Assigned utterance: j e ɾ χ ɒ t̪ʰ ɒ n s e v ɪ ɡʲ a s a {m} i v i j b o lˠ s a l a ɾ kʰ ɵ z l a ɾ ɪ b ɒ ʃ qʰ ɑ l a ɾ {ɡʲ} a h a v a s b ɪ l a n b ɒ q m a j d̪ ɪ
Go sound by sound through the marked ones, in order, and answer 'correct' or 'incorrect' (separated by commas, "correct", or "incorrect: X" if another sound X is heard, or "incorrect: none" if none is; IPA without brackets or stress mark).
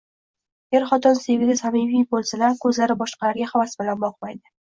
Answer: correct, correct